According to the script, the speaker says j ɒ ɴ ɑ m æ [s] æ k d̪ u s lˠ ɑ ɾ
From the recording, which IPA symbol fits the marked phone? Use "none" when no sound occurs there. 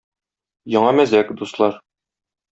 z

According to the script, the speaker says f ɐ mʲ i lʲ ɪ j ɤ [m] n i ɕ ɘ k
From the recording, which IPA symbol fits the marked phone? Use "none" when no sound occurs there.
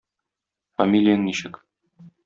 ŋ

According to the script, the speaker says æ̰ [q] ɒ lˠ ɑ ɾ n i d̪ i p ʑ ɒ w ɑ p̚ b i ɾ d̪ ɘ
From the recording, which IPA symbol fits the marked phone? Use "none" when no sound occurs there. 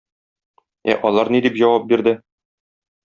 ʔ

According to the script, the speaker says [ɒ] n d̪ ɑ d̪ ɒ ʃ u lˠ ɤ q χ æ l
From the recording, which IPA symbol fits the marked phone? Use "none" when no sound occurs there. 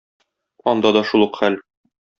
ɒ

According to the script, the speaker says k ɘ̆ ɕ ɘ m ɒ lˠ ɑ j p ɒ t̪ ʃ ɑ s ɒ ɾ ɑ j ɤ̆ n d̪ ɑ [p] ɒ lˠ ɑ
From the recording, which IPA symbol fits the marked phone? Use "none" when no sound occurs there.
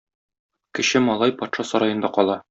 q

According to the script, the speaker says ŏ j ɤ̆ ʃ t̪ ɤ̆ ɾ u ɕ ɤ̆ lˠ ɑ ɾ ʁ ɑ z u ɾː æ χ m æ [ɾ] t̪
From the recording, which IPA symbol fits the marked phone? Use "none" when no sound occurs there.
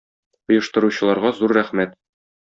none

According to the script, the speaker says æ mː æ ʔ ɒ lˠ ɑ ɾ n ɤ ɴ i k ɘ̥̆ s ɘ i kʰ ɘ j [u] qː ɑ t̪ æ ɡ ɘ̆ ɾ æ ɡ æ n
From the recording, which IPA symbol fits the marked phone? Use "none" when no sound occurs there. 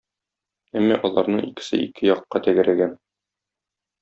ɒ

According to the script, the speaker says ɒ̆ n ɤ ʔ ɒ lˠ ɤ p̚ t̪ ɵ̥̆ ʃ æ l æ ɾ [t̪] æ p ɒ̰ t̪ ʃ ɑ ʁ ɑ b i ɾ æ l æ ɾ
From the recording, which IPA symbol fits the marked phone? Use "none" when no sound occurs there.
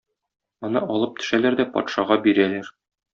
d̪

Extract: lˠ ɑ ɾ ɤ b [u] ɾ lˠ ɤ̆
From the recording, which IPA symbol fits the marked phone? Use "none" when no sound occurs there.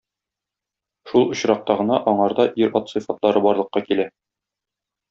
ɒ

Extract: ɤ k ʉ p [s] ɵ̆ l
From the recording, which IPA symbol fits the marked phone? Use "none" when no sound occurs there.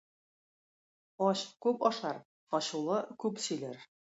s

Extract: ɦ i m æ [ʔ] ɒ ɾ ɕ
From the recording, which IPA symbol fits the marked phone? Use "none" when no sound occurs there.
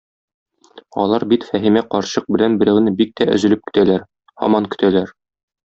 q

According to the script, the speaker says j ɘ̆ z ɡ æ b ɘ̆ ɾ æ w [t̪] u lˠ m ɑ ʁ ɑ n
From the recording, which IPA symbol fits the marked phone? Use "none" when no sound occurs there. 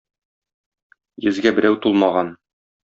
t̪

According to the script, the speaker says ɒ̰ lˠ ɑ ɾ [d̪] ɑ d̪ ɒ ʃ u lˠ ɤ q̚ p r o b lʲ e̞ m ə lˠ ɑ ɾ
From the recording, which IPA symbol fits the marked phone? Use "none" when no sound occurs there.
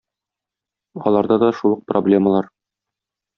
d̪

